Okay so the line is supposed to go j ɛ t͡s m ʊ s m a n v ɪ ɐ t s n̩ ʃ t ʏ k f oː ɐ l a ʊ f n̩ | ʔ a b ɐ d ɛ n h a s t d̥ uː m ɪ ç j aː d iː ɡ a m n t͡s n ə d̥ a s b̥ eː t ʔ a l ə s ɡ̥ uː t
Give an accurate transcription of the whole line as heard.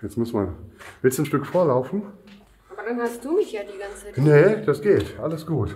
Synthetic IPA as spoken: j ɛ t͡s m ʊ s m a n v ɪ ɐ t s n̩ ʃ t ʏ k f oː ɐ l a ʊ f n̩ | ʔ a b ɐ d a n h a s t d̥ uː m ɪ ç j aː d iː ɡ a n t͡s n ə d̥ a s ɡ̥ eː t ʔ a l ə s ɡ̥ uː t